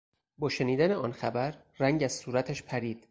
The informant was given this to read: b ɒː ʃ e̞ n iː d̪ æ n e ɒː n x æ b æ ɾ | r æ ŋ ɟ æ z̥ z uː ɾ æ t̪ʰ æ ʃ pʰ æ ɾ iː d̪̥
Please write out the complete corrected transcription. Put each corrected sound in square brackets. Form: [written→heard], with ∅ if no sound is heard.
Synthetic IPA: b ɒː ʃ e̞ n iː d̪ æ n e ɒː n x æ b æ ɾ | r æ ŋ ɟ æ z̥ [z→s] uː ɾ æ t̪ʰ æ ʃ pʰ æ ɾ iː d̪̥

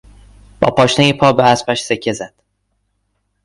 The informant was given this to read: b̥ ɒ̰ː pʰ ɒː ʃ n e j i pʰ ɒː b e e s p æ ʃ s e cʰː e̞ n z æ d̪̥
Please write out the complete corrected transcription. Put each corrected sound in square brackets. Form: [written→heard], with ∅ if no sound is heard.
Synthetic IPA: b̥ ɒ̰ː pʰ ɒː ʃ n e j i pʰ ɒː b e [e→æ] s p æ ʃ s e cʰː e̞ [n→∅] z æ d̪̥

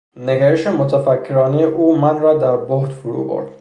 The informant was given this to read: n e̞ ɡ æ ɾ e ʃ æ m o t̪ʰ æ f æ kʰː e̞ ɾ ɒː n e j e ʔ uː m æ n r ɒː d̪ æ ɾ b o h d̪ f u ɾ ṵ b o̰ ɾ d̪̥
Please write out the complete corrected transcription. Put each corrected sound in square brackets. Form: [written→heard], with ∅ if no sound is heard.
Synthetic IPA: n e̞ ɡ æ ɾ e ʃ [æ→e] m o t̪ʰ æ f æ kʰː e̞ ɾ ɒː n e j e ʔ uː m æ n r ɒː d̪ æ ɾ b o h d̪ f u ɾ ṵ b o̰ ɾ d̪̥

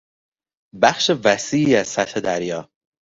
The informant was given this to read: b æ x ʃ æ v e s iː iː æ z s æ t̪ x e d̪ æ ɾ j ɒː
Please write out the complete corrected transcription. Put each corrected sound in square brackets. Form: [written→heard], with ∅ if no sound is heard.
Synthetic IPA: b æ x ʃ [æ→e] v [e→æ] s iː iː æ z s æ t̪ [x→h] e d̪ æ ɾ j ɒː

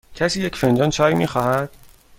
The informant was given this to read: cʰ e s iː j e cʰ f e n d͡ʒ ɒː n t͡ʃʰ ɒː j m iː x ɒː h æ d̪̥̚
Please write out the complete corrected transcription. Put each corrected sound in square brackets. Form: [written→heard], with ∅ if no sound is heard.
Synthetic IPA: cʰ [e→æ] s iː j e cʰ f e n d͡ʒ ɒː n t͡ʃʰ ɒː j m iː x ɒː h æ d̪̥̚

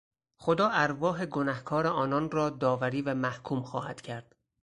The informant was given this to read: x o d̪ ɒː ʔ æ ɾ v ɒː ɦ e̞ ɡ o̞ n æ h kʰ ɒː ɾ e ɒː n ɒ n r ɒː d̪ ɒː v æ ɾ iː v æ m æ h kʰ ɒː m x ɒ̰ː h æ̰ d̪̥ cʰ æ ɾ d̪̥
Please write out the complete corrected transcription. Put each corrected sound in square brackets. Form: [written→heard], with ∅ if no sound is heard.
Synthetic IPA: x o d̪ ɒː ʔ æ ɾ v ɒː ɦ e̞ ɡ o̞ n æ h kʰ ɒː ɾ e ɒː n ɒ n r ɒː d̪ ɒː v æ ɾ iː v æ m æ h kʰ [ɒː→uː] m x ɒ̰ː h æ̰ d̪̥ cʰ æ ɾ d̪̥

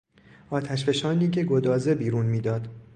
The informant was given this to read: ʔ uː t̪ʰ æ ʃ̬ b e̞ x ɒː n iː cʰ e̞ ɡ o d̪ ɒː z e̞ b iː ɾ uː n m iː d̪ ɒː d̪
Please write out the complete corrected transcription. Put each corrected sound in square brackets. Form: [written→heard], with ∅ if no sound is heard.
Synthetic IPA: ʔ [uː→ɒː] t̪ʰ æ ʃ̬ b e̞ [x→ʃ] ɒː n iː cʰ e̞ ɡ o d̪ ɒː z e̞ b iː ɾ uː n m iː d̪ ɒː d̪

